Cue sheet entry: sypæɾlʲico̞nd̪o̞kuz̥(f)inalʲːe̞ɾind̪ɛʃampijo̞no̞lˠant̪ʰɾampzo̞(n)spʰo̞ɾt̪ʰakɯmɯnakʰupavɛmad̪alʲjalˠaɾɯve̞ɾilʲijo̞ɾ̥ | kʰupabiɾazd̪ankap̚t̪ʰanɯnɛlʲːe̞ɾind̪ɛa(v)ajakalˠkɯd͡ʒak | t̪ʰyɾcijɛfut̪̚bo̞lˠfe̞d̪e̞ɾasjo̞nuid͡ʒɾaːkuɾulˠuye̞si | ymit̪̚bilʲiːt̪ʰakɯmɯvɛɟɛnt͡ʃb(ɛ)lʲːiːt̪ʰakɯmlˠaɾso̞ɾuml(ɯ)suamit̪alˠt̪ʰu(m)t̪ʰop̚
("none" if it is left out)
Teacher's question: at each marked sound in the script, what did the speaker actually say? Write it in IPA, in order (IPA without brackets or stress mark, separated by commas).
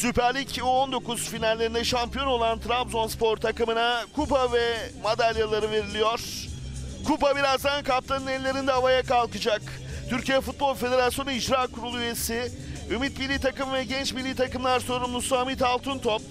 f, n, v, i, u, n